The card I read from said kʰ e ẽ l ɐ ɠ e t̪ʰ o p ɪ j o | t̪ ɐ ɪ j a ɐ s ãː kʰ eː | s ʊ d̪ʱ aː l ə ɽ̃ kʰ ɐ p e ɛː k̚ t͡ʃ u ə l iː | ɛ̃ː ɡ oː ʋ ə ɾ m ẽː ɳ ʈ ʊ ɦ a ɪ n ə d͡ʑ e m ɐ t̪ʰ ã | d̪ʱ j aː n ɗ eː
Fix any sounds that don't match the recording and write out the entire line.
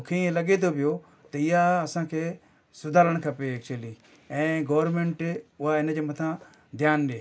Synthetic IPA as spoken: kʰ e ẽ l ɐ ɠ e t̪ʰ o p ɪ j o | t̪ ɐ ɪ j a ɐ s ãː kʰ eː | s ʊ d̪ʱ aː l ə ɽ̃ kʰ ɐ p e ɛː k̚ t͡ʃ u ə l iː | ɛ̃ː ɡ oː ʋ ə ɾ m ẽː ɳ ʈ ʊ ɦ a ɪ n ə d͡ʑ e m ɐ t̪ʰ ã | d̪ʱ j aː n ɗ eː